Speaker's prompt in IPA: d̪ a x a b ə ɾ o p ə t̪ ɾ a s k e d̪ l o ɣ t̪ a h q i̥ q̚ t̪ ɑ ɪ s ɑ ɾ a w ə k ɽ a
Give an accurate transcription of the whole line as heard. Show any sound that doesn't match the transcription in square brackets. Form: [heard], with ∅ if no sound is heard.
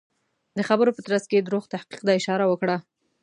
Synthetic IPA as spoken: d̪ [ə] x a b ə ɾ o p ə t̪ ɾ a s k e d̪ [ɾ] o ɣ t̪ a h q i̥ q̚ [d̪] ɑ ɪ [ʃ] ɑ ɾ a w ə k ɽ a